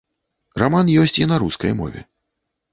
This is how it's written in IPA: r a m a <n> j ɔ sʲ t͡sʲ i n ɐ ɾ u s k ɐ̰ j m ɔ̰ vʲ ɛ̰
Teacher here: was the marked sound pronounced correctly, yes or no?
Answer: yes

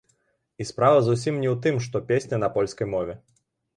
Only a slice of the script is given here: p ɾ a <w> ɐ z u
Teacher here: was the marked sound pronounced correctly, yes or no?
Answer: no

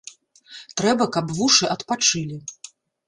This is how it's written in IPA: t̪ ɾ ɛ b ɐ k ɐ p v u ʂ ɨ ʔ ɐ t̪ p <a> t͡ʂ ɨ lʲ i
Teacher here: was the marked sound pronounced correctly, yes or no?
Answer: yes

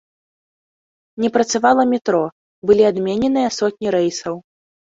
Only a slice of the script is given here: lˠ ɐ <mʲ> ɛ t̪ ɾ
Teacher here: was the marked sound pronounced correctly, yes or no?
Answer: yes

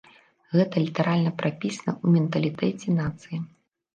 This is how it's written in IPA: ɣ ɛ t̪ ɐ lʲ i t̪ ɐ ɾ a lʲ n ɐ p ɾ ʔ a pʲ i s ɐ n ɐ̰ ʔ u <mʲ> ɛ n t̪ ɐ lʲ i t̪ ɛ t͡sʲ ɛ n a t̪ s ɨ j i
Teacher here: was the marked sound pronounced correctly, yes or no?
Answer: yes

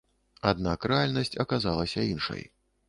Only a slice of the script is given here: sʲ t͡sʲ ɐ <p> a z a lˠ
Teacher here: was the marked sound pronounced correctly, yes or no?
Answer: no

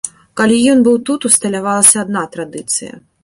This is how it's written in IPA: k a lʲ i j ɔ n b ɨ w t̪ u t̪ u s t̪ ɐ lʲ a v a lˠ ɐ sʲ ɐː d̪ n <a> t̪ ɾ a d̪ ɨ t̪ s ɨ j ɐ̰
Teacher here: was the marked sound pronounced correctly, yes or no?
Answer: yes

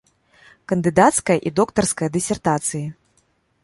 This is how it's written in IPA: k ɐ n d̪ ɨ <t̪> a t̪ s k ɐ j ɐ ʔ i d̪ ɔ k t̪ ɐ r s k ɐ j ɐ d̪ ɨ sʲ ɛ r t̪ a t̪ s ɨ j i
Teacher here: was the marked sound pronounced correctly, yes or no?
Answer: no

